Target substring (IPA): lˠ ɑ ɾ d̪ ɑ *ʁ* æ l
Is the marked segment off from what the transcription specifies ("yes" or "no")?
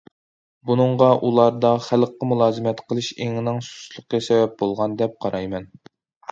yes